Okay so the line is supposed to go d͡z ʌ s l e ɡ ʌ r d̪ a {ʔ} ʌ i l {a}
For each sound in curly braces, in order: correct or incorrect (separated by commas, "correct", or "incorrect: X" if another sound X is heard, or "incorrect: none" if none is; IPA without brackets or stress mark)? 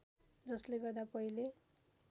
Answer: incorrect: p, incorrect: e